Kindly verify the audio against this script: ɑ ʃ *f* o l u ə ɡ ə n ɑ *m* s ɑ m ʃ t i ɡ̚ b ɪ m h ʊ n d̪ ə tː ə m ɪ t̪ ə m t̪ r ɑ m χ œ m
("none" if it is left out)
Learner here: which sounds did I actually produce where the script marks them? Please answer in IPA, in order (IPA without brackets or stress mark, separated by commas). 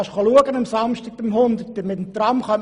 χ, m